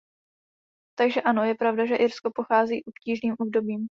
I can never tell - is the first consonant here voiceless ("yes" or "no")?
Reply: yes